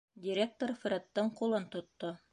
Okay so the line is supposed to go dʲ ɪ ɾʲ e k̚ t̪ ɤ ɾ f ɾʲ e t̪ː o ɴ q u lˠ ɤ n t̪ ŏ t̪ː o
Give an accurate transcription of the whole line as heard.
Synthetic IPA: dʲ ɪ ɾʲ e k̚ t̪ o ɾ f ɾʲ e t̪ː ɤ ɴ q u lˠ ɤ n t̪ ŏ t̪ː o